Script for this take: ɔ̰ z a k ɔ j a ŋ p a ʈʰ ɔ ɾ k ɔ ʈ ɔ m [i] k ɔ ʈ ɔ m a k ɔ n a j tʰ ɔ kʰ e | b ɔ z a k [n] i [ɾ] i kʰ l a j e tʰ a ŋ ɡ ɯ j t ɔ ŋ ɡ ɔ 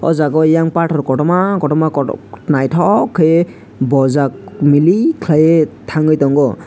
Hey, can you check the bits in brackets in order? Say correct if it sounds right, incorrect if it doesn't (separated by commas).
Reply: incorrect, incorrect, incorrect